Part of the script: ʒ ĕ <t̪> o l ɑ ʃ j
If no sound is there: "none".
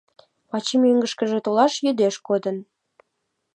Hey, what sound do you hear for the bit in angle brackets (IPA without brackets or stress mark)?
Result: t̪